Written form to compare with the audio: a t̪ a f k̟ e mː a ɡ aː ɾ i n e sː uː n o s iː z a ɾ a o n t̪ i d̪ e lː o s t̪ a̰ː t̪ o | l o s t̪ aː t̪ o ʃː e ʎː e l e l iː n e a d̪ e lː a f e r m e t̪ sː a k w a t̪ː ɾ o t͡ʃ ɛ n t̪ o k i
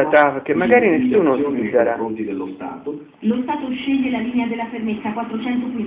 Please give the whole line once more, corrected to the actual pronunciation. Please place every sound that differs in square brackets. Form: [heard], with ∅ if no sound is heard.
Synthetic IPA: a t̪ a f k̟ e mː a ɡ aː ɾ i n e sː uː n o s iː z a ɾ a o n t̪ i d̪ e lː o s t̪ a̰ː t̪ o | l o s t̪ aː t̪ o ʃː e ʎː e l [a] l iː n e a d̪ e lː a f e r m e t̪ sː a k w a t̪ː ɾ o t͡ʃ ɛ n t̪ o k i